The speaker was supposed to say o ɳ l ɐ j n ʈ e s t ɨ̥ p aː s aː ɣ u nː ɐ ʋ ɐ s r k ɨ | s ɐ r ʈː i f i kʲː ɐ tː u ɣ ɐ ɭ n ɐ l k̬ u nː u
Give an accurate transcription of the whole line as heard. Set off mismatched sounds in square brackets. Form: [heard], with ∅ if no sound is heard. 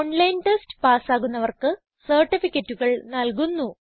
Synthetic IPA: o ɳ l ɐ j n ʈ e s t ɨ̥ p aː s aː ɣ u nː ɐ ʋ ɐ [∅] r k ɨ | s ɐ r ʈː i f i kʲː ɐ tː u ɣ ɐ ɭ n ɐ l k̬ u nː u